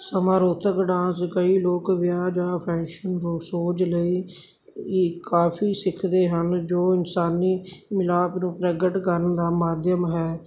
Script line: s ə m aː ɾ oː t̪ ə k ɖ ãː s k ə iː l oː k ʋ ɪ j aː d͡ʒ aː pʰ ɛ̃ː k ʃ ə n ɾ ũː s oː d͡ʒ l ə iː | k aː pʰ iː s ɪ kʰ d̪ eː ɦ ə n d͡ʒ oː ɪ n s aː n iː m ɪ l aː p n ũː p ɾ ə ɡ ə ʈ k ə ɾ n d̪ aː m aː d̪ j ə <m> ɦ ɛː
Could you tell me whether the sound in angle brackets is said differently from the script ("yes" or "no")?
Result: no